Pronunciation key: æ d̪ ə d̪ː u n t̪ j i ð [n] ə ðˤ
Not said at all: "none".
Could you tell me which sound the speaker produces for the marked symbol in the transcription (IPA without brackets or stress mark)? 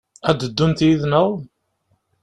n